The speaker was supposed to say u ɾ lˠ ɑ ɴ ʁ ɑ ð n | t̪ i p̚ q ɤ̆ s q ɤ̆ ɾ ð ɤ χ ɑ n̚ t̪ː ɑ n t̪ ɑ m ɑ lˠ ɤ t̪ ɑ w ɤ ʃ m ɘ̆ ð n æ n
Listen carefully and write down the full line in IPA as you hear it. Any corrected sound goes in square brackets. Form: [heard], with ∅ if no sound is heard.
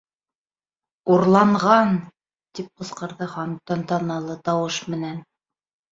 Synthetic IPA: u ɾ lˠ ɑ ɴ ʁ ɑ [∅] n | t̪ i p̚ q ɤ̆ s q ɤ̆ ɾ ð ɤ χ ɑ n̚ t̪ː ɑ n t̪ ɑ [n] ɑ lˠ ɤ t̪ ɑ w ɤ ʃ m ɘ̆ [∅] n æ n